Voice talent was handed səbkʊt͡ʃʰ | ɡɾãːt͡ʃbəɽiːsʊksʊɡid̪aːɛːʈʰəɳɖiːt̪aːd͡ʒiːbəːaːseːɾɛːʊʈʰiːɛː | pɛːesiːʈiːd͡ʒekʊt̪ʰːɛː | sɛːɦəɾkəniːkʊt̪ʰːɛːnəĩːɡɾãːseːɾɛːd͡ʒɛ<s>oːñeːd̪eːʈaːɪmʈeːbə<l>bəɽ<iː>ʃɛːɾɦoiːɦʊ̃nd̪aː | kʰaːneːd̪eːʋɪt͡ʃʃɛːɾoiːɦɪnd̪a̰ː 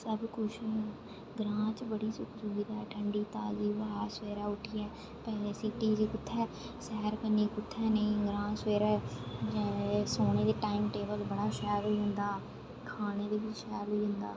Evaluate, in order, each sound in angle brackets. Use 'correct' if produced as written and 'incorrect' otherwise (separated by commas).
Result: correct, correct, incorrect